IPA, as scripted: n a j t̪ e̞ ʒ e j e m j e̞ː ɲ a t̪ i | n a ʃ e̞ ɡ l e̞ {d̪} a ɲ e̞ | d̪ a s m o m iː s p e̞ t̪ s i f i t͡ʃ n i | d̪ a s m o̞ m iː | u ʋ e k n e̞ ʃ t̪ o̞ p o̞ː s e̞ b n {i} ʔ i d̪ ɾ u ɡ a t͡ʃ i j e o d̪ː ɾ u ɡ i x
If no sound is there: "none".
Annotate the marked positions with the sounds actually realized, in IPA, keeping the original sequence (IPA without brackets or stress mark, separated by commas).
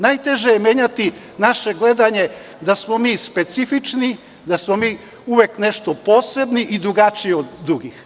d̪, i